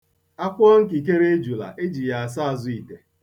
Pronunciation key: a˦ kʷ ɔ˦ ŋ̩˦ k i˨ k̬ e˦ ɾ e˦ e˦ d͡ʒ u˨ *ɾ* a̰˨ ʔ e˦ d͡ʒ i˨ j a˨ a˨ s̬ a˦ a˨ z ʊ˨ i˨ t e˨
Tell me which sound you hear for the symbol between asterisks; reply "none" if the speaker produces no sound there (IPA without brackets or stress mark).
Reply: l